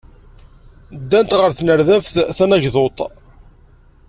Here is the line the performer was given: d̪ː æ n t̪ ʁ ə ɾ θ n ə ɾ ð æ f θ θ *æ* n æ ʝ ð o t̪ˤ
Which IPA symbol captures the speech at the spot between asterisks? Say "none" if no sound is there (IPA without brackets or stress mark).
æ